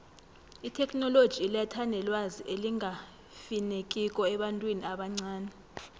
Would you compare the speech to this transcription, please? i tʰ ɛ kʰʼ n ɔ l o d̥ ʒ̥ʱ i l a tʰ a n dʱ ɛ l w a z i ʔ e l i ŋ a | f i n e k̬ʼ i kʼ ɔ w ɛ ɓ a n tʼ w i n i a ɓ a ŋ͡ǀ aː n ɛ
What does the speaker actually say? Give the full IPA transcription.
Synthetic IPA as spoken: i tʰ ɛ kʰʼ n ɔ l o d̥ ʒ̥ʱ i l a tʰ a n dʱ ɛ l w a z i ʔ e l i ŋ a | f i n e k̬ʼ i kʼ ɔ ɛ ɓ a n tʼ w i n i a ɓ a ŋ͡ǀ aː n ɛ